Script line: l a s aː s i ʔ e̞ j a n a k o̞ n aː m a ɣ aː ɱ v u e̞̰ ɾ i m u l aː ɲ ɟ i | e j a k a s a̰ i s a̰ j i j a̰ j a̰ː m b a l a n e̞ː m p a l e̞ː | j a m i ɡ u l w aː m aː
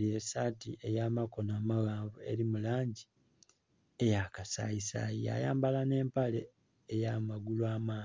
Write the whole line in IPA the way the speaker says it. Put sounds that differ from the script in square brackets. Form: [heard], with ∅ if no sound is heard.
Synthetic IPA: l [e] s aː [t] i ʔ e̞ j a [m] a k o̞ n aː m a ɣ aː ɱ v u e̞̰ ɾ i m u l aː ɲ ɟ i | e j a k a s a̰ i s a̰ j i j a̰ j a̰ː m b a l a n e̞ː m p a l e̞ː | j a m [a] ɡ u l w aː m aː